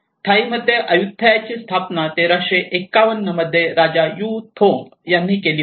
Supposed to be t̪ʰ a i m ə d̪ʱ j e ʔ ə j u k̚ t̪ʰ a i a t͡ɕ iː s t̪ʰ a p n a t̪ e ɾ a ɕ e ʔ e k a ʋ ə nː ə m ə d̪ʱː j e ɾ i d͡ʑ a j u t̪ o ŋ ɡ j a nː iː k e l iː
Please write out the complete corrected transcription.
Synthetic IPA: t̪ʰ a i m ə d̪ʱ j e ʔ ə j u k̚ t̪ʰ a j a t͡ɕ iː s t̪ʰ a p n a t̪ e ɾ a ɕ e ʔ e k a ʋ ə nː ə m ə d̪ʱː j e ɾ a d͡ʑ a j u t̪ʰ o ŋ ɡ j a nː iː k e l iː

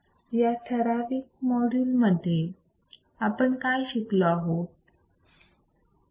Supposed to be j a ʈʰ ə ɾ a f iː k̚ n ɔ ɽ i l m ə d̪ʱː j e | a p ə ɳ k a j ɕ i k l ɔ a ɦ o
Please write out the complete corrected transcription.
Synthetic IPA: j a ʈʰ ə ɾ a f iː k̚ m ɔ ɽ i l m ə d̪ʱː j e | a p ə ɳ k a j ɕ i k l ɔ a ɦ o

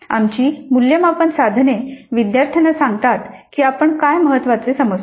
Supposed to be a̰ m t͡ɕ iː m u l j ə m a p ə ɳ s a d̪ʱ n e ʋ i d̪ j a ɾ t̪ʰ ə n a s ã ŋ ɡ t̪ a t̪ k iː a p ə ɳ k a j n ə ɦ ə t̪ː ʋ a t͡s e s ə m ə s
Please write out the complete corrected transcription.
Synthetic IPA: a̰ m t͡ɕ iː m u l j ə m a p ə ɳ s a d̪ʱ n e ʋ i d̪ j a ɾ t̪ʰ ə n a s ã ŋ ɡ t̪ a t̪ k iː a p ə ɳ k a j m ə ɦ ə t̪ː ʋ a t͡s e s ə m ə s

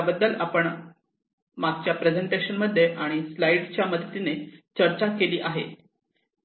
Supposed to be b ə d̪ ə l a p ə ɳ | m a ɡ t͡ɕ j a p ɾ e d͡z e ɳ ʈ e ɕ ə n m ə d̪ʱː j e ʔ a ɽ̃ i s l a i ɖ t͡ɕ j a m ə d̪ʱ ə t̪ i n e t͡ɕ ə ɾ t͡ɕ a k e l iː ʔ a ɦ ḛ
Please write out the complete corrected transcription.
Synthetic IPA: b ə d̪ː ə l a p ə ɳ | m a ɡ t͡ɕ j a p ɾ e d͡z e ɳ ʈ e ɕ ə n m ə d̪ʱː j e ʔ a ɽ̃ i s l a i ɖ t͡ɕ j a m ə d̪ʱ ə t̪ i n e t͡ɕ ə ɾ t͡ɕ a k e l iː ʔ a ɦ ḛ

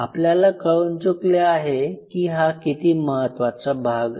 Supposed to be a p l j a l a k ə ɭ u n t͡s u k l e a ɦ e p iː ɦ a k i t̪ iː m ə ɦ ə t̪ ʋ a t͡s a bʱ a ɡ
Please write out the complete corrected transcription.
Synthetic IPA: a p l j a l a k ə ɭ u n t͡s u k l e a ɦ e k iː ɦ a k i t̪ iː m ə ɦ ə t̪ ʋ a t͡s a bʱ a ɡ

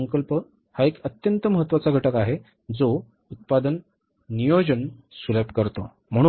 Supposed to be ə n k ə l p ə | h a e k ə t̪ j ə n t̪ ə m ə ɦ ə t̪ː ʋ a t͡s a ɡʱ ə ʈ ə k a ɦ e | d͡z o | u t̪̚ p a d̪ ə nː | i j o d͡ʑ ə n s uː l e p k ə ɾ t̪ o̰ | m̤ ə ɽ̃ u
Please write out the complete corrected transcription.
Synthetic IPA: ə ŋ k ə l p ə | h a e k ə t̪ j ə n t̪ ə m ə ɦ ə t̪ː ʋ a t͡s a ɡʱ ə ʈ ə k a ɦ e | d͡z o | u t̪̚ p a d̪ ə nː | i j o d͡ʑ ə n s u l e p k ə ɾ t̪ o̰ | m̤ ə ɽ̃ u

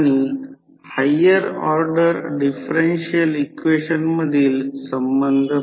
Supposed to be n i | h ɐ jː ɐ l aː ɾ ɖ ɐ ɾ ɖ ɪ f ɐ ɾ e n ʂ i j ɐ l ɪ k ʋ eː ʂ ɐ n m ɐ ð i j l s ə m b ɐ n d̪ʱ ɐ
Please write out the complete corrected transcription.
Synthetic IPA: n i | h ɐ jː ɐ ɾ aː ɾ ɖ ɐ ɾ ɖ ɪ f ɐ ɾ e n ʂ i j ɐ l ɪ k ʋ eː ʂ ɐ n m ɐ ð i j l s ɐ m b ɐ n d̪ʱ ɐ

